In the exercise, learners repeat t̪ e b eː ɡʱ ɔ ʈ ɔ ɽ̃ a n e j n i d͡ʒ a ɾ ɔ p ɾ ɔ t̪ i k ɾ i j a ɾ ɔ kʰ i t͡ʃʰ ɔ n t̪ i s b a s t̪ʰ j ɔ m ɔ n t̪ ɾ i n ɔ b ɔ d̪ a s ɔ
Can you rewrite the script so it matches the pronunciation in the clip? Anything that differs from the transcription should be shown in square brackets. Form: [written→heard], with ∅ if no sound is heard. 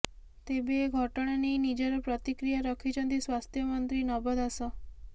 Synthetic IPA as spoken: t̪ e b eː ɡʱ ɔ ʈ ɔ ɽ̃ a n e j n i d͡ʒ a ɾ ɔ p ɾ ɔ t̪ i k ɾ i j a ɾ ɔ kʰ i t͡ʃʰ ɔ n t̪ i s [b→w] a s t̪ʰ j ɔ m ɔ n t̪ ɾ i n ɔ b ɔ d̪ a s ɔ